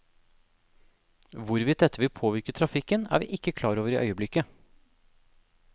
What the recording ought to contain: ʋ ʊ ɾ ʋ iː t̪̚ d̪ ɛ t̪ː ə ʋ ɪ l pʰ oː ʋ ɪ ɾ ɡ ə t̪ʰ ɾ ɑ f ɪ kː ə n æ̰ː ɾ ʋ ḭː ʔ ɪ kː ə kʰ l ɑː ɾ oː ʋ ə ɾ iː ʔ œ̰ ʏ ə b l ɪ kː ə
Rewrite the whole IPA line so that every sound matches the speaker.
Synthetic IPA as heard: ʋ ʊ ɾ ʋ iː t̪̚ d̪ ɛ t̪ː ə ʋ ɪ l pʰ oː ʋ ɪ ɾ k ə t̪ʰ ɾ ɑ f ɪ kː ə n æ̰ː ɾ ʋ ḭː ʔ ɪ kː ə kʰ l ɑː ɾ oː ʋ ə ɾ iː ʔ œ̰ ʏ ə b l ɪ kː ə